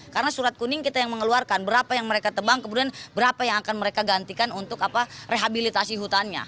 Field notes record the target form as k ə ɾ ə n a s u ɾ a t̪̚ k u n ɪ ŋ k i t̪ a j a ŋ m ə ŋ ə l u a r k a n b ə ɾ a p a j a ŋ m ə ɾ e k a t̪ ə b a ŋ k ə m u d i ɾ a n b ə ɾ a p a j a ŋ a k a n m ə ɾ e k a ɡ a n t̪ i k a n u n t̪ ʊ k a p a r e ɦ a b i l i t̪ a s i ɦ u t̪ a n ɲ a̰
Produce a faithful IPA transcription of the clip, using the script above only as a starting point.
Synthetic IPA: k a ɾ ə n a s u ɾ a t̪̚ k u n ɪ ŋ k i t̪ a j a ŋ m ə ŋ ə l u a r k a n b ə ɾ a p a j a ŋ m ə ɾ e k a t̪ ə b a ŋ k ə m u d i a n b ə ɾ a p a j a ŋ a k a n m ə ɾ e k a ɡ a n t̪ i k a n u n t̪ ʊ k a p a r e ɦ a b i l i t̪ a s i ɦ u t̪ a n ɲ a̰